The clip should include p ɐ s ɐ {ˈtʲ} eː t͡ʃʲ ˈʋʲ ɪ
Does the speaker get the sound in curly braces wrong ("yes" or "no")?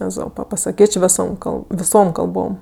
yes